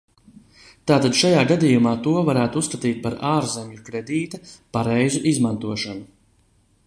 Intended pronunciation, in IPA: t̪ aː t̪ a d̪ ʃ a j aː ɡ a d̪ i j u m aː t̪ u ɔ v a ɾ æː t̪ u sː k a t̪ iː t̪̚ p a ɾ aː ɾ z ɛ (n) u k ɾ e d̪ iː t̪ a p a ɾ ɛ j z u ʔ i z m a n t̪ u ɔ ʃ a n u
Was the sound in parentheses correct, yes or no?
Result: no